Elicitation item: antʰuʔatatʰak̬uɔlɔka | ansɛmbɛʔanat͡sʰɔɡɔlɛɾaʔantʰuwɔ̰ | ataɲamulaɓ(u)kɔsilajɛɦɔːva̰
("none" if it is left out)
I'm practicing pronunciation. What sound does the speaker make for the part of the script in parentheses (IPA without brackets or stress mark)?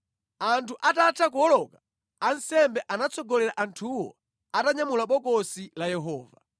ɔ